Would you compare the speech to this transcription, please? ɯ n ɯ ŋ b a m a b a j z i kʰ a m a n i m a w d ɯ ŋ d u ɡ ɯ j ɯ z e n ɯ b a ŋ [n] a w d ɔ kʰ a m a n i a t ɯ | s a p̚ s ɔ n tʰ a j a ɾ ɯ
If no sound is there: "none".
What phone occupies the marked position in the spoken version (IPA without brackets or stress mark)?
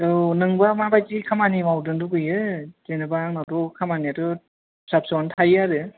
n